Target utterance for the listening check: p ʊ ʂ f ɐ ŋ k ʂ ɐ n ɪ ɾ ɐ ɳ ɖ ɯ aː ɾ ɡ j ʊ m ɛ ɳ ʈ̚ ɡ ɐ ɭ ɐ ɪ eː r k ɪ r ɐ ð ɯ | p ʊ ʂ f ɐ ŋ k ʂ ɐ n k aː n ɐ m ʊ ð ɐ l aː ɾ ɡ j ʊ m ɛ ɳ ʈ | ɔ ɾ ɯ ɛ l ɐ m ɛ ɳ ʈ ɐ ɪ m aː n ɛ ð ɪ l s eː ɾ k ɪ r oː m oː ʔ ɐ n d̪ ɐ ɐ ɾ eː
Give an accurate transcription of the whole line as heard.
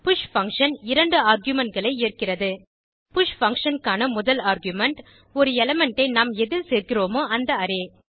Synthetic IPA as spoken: p ʊ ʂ f ɐ ŋ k ʂ ɐ n ɪ ɾ ɐ ɳ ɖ ɯ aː ɾ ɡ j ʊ m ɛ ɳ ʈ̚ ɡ ɐ ɭ ɐ ɪ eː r k ɪ r ɐ ð ɯ | p ʊ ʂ f ɐ ŋ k ʂ ɐ n k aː n ɐ m ʊ ð ɐ l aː ɾ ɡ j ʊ m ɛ ɳ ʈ | ɔ ɾ ɯ ɛ l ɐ m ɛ ɳ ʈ ɐ ɪ n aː m ɛ ð ɪ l s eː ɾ k ɪ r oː m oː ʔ ɐ n d̪ ɐ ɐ ɾ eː